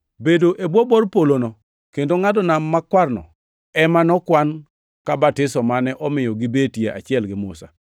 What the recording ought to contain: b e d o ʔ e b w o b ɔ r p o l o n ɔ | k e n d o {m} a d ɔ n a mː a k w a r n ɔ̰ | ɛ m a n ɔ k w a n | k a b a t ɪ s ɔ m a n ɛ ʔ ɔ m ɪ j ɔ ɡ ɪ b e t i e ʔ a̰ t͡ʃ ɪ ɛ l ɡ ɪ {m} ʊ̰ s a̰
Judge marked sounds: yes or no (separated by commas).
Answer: no, yes